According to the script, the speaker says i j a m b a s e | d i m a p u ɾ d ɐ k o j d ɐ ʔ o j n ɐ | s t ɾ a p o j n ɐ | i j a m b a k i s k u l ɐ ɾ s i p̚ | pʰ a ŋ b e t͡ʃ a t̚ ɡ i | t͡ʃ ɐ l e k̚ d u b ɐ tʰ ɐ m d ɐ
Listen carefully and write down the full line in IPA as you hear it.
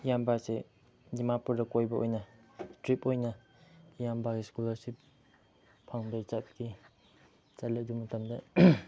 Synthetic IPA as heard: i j a m b a s e | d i m a p u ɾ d ɐ k o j b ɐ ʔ o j n ɐ | s t ɾ i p o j n ɐ | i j a m b a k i s k u l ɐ ɾ s i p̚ | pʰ a ŋ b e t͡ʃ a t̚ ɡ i | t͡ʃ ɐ l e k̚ d u m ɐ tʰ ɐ m d ɐ